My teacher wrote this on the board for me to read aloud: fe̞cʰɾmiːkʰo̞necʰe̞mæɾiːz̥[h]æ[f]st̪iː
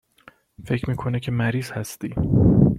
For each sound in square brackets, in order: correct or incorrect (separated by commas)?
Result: correct, incorrect